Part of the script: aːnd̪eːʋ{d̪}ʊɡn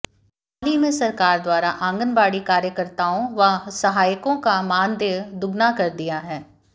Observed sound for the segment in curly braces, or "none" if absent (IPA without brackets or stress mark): d̪